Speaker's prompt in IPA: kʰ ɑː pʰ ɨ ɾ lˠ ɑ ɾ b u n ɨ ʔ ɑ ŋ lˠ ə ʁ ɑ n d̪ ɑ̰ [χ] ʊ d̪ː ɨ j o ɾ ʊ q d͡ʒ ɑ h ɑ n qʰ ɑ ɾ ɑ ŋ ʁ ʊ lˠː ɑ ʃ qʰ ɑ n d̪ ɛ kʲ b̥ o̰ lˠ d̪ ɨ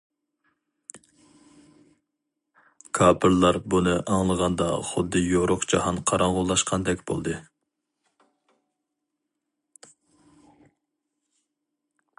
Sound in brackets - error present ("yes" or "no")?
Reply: no